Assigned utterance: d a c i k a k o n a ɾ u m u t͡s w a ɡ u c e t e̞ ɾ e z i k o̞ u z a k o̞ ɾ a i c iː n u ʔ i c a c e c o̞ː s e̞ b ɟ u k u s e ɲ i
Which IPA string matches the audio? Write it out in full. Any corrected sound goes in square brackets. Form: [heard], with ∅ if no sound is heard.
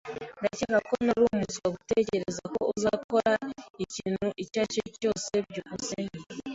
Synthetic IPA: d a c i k a k o n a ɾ u m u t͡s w a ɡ u [t] e [c] e̞ ɾ e z [a] k o̞ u z a k o̞ ɾ a i c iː n u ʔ i c a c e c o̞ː s e̞ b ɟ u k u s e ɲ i